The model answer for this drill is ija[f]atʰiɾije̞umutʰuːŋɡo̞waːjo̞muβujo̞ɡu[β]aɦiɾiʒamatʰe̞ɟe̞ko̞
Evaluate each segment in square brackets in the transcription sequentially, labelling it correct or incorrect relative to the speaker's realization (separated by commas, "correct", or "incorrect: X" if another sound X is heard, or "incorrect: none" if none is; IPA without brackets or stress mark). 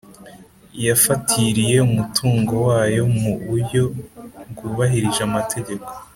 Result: correct, correct